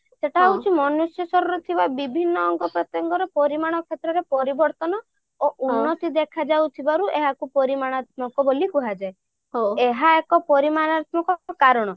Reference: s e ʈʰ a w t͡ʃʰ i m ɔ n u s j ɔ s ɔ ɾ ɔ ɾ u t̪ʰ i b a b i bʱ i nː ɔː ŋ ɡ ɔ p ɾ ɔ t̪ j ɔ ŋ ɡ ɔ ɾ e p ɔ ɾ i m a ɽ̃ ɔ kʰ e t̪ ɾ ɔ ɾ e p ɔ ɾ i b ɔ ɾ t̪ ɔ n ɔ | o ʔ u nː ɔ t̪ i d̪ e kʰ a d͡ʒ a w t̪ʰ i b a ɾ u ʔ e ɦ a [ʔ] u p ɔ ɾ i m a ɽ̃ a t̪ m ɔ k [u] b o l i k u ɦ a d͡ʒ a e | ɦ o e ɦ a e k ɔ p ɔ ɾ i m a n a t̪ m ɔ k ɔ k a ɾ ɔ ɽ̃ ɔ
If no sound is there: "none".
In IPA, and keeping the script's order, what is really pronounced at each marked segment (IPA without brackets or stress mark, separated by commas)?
k, ɔ